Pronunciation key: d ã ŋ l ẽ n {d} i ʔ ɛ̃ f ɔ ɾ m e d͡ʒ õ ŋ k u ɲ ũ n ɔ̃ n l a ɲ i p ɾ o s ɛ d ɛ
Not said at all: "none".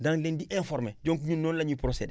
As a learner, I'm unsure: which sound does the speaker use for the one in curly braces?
d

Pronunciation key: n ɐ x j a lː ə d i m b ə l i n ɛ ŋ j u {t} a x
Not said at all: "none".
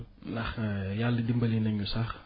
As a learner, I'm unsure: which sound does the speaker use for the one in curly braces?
s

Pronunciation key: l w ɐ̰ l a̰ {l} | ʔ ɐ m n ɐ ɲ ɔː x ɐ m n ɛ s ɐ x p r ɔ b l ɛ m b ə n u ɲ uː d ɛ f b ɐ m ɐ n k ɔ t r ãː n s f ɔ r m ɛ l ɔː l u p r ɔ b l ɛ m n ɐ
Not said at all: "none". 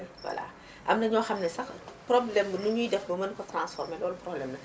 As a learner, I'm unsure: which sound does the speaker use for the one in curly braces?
none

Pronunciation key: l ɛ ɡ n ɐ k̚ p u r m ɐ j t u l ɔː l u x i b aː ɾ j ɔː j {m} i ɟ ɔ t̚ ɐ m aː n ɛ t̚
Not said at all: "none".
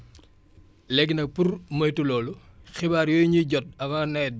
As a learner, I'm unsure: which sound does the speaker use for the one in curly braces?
ɲ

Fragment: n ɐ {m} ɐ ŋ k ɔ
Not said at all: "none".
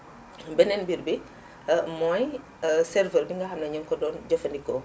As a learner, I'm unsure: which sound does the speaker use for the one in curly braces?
ɲ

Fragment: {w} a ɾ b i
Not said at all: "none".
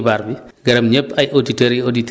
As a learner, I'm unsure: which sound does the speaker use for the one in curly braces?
b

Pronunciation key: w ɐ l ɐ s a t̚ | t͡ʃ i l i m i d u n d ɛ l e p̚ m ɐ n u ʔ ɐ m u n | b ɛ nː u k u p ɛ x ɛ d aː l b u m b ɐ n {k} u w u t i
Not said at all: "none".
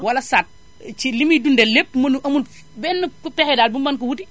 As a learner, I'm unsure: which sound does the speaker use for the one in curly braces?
k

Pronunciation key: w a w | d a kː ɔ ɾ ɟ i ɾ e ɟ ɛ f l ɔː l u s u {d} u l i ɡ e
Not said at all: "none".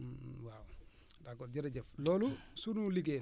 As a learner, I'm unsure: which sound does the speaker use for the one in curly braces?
n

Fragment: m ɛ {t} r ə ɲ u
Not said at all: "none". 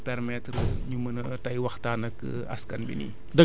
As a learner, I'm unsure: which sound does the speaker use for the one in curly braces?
t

